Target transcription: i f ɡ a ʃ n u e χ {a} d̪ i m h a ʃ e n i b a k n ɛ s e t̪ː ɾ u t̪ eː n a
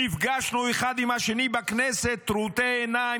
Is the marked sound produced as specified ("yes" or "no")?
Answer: yes